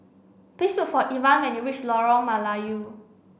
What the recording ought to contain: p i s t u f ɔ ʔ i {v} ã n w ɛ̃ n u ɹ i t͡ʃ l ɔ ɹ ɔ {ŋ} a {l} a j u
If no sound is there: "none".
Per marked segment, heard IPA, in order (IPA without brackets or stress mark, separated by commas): v, m, l